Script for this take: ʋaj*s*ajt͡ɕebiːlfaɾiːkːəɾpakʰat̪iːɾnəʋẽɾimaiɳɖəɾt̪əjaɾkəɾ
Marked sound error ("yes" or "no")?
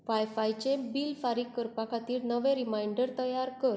yes